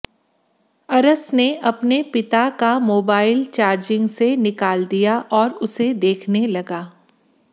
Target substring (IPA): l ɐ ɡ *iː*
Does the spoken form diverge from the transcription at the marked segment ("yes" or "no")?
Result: yes